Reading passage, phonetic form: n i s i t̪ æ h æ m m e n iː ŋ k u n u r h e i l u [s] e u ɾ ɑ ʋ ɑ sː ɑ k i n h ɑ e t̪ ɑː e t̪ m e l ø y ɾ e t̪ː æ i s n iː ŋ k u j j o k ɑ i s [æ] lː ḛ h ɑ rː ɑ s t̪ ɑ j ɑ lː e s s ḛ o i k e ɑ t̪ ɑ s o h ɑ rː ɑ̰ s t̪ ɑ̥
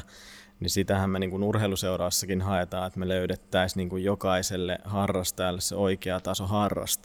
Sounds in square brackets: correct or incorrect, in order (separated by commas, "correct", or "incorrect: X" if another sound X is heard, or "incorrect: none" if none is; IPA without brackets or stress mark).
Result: correct, incorrect: e